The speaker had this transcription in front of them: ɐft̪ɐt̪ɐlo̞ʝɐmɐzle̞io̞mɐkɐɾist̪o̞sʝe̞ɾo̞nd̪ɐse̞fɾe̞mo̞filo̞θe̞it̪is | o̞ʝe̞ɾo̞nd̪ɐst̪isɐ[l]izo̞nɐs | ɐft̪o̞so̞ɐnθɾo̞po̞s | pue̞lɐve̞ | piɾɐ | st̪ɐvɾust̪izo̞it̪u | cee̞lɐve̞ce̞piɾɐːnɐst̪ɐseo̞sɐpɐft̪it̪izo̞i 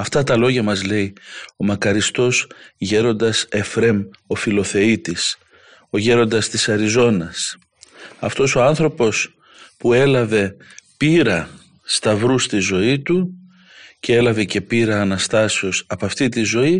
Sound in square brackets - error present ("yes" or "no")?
yes